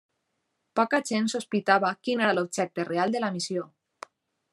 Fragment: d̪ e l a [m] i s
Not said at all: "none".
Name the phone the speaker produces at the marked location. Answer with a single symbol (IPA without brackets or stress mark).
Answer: m